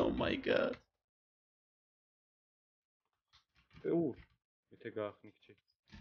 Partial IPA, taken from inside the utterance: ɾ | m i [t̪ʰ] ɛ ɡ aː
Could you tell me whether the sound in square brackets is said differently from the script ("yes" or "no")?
no